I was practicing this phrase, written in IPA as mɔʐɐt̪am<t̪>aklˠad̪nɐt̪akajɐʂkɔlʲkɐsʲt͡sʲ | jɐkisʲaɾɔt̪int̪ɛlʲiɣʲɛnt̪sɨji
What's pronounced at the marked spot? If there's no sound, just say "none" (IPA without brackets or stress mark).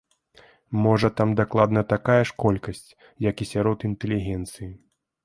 d̪